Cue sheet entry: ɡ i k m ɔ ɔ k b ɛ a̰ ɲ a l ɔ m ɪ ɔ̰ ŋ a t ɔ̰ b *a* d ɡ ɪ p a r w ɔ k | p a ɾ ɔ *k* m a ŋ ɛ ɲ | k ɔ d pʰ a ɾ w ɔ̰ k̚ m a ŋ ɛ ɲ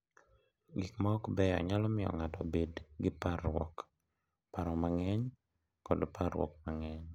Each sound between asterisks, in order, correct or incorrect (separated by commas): incorrect, incorrect